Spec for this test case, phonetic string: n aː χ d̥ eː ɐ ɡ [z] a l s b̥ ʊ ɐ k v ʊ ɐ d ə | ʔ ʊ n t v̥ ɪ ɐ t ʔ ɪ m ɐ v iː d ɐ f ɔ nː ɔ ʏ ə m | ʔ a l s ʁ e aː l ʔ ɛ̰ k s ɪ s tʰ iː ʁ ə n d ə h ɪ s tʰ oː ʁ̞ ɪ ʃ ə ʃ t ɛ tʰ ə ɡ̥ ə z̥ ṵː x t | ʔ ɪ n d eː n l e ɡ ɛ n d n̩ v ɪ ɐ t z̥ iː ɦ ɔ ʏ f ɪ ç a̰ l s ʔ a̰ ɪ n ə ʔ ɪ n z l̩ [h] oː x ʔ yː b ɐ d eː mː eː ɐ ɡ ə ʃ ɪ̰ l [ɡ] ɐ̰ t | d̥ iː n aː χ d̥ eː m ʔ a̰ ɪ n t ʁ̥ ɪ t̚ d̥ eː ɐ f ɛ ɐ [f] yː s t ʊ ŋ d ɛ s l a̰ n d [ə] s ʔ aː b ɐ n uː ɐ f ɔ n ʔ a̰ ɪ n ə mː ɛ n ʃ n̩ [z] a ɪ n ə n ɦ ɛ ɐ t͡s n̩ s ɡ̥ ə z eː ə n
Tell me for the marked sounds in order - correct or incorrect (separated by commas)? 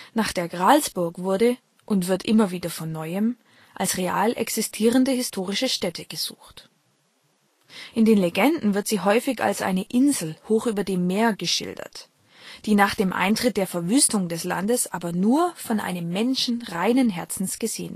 incorrect, correct, incorrect, incorrect, correct, incorrect